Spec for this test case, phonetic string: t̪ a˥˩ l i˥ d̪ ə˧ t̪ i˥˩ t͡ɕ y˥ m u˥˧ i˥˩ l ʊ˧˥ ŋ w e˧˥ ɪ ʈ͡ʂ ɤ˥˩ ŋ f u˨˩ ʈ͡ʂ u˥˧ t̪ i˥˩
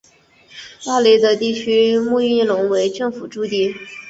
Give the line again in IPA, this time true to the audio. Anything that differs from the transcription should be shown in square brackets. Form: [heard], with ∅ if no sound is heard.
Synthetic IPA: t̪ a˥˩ l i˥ d̪ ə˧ t̪ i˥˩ [t͡ɕʰ] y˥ m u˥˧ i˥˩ l ʊ˧˥ ŋ w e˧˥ ɪ ʈ͡ʂ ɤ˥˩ ŋ f u˨˩ ʈ͡ʂ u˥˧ t̪ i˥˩